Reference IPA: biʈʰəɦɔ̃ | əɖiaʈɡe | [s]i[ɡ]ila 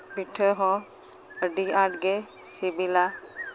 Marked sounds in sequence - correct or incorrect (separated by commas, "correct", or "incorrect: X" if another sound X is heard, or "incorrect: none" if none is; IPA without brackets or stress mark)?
correct, incorrect: b